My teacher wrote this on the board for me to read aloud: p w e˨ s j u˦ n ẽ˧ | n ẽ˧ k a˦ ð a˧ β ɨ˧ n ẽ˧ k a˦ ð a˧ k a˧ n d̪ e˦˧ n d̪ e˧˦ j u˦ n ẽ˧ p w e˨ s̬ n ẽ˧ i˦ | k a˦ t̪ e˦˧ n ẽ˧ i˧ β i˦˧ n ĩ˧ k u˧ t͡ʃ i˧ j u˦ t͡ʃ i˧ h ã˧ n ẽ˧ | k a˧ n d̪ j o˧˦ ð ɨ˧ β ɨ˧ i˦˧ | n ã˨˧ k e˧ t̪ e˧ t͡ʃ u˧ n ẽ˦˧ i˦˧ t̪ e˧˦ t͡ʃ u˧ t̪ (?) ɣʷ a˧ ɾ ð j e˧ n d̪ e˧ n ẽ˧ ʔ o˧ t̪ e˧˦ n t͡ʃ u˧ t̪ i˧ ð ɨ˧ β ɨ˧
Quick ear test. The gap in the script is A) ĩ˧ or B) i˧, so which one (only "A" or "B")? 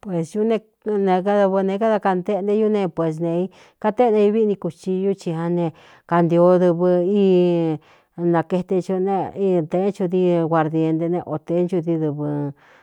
B